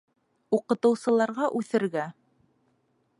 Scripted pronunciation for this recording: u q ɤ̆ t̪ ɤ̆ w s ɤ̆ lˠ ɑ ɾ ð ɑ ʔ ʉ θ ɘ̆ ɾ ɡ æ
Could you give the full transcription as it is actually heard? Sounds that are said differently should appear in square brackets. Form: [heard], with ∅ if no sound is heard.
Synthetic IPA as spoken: u q ɤ̆ t̪ ɤ̆ w s ɤ̆ lˠ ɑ ɾ [ʁ] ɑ ʔ ʉ θ ɘ̆ ɾ ɡ æ